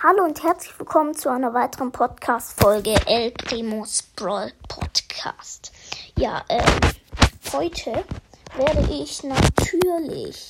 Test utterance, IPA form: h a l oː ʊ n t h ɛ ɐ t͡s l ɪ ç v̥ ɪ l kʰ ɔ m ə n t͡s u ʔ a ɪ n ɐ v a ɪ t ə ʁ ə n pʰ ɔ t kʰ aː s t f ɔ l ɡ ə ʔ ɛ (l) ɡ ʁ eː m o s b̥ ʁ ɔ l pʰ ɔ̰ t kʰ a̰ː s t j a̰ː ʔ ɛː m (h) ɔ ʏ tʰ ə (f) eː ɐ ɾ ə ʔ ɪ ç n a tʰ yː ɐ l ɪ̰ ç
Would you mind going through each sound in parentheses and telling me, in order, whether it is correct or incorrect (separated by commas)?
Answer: correct, correct, incorrect